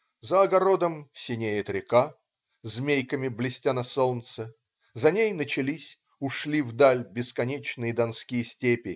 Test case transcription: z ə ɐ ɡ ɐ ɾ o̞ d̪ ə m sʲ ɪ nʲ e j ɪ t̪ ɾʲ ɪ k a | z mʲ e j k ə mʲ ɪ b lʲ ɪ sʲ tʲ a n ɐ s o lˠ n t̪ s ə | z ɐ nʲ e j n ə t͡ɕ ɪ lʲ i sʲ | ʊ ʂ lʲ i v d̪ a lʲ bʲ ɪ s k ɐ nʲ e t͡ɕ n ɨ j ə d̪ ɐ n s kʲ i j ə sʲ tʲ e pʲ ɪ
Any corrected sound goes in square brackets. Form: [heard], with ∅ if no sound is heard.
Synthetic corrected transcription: z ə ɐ ɡ ɐ ɾ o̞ d̪ ə m sʲ ɪ nʲ e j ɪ t̪ ɾʲ ɪ k a | z mʲ e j k ə mʲ ɪ b lʲ ɪ sʲ tʲ a n ɐ s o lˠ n t̪ s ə | z ɐ nʲ e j n ə t͡ɕ ɪ lʲ i sʲ | ʊ ʂ lʲ i v d̪ a lʲ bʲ ɪ s k ɐ nʲ e t͡ɕ n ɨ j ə d̪ ɐ n s kʲ i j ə sʲ tʲ e pʲ ɪ